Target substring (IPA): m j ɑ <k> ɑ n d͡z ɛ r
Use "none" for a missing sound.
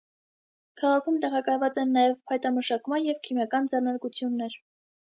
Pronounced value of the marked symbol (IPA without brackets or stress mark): k